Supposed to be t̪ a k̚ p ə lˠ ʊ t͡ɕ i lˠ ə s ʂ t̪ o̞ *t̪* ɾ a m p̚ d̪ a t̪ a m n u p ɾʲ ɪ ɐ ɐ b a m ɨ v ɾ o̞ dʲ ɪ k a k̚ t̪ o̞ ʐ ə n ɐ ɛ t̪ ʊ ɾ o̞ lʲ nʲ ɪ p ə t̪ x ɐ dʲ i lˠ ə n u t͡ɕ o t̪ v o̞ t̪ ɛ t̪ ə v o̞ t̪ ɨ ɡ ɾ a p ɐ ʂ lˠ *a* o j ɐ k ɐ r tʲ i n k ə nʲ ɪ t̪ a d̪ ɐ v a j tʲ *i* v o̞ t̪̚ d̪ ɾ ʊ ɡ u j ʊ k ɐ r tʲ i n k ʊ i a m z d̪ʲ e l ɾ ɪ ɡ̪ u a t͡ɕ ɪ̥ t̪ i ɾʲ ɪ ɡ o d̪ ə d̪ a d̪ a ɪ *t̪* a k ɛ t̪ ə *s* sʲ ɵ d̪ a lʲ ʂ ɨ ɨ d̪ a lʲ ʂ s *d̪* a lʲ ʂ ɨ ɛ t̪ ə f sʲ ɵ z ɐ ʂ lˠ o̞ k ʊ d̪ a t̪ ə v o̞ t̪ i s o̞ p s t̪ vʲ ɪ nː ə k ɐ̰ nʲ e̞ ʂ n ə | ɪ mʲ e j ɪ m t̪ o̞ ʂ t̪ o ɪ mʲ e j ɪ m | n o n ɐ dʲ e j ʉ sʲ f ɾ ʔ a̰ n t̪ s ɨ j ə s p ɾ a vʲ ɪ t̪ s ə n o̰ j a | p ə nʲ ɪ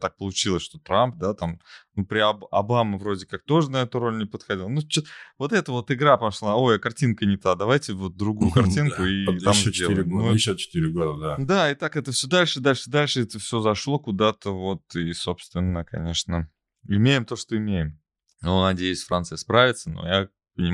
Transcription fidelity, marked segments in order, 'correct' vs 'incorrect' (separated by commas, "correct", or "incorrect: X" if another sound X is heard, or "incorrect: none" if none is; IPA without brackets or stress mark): correct, correct, incorrect: ɪ, correct, incorrect: f, correct